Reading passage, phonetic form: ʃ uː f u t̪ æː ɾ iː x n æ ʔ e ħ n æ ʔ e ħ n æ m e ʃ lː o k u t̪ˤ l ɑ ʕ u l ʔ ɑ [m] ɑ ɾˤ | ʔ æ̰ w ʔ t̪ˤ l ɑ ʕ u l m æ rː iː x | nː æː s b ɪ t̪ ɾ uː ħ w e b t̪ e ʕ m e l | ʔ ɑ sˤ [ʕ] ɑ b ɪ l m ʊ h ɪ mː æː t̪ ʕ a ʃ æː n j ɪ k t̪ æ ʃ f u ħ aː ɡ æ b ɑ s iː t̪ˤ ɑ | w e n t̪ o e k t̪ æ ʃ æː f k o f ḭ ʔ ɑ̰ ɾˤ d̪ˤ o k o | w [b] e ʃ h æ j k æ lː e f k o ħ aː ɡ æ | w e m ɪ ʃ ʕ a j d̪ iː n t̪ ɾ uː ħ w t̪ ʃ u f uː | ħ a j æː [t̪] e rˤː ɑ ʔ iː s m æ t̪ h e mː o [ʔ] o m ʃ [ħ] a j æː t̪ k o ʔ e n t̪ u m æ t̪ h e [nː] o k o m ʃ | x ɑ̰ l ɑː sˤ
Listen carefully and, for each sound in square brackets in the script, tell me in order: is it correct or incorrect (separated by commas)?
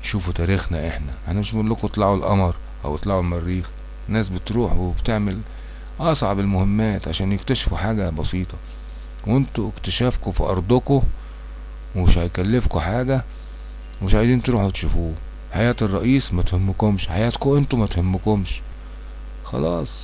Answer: correct, correct, incorrect, correct, incorrect, correct, incorrect